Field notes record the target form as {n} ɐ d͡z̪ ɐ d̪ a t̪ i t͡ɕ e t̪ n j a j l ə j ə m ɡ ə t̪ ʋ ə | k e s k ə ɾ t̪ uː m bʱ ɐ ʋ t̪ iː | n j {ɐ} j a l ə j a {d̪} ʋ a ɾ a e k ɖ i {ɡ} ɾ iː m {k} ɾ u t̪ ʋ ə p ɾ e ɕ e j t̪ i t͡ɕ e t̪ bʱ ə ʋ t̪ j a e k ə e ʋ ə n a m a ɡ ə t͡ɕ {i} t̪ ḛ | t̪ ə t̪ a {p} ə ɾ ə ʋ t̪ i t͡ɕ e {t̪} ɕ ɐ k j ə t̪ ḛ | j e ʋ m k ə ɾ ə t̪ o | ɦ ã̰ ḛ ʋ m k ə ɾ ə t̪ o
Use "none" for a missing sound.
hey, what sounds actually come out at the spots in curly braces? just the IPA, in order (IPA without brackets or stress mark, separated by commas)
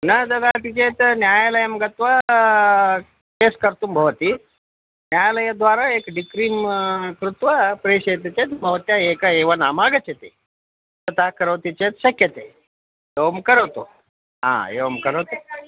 n, a, d̪, k, k, e, k, t̪